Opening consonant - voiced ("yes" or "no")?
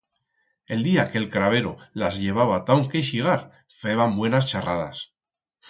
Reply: yes